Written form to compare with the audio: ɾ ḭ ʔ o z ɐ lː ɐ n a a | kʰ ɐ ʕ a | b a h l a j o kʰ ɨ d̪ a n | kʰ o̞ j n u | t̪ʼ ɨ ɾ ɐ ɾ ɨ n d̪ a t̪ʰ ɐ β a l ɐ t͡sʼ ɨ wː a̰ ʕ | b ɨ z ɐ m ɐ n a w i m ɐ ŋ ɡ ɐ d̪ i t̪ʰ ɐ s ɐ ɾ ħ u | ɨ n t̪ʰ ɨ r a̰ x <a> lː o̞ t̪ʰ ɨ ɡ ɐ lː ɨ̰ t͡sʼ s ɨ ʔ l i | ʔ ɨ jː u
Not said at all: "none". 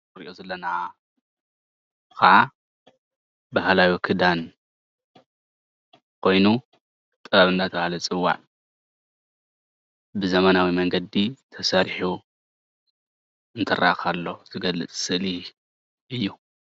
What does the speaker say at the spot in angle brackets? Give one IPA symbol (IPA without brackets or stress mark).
a